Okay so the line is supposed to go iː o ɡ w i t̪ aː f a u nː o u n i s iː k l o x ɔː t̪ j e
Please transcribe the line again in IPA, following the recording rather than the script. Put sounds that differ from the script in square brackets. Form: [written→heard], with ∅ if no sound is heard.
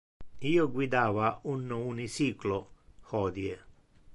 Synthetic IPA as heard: iː o ɡ w i [t̪→d̪] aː [f→v] a u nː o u n i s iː k l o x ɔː [t̪→d̪] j e